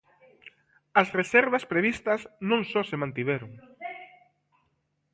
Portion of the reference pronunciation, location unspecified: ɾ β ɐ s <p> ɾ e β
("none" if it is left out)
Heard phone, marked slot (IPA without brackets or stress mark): p